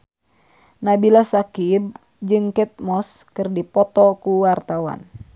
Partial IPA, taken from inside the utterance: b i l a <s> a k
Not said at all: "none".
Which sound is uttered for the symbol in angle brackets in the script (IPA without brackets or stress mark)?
s